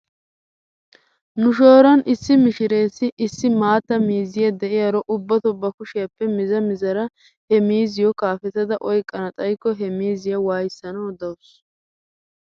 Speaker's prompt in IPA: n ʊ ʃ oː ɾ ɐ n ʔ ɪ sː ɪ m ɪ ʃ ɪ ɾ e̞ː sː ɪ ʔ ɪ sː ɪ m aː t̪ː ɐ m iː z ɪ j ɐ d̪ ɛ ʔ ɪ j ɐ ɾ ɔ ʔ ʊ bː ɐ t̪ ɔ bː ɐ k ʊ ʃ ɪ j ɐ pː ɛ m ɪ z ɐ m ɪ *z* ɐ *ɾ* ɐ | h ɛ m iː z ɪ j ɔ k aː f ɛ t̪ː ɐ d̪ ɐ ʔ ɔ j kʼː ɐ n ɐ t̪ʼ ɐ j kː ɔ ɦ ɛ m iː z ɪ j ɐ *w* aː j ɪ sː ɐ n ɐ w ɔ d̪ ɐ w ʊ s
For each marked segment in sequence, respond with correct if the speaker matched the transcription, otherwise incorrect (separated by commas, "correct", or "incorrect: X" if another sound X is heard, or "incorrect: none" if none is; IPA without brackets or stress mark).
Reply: correct, correct, correct